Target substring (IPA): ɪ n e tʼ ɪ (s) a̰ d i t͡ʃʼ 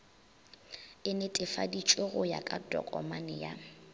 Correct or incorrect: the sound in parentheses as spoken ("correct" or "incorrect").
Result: incorrect